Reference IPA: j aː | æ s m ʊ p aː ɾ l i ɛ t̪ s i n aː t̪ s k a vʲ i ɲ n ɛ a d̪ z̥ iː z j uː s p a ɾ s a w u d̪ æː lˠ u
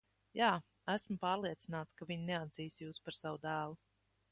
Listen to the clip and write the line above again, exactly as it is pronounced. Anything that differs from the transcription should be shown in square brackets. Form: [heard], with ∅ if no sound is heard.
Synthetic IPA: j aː | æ s m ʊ p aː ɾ l i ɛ t̪ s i n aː t̪ s k a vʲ i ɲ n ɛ a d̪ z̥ iː [s] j uː s p a ɾ s a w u d̪ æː lˠ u